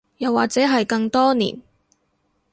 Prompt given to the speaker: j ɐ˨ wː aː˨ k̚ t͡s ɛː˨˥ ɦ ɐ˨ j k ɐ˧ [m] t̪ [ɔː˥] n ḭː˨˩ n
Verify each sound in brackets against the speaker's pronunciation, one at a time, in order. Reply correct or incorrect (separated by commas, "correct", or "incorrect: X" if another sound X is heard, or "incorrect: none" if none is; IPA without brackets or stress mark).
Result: incorrect: ŋ, correct